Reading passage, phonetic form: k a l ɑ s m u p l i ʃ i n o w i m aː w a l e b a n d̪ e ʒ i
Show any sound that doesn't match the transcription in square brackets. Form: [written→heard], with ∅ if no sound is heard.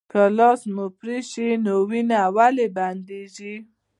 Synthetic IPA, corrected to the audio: k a l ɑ s m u p [l→ɾ] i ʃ i n o w i [m→n] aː w a l e b a n d̪ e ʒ i